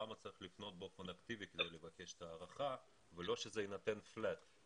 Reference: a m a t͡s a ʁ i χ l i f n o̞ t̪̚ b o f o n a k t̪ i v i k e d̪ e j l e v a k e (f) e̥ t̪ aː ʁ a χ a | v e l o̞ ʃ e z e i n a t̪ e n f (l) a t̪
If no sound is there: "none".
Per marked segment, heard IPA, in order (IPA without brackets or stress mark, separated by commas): ʃ, l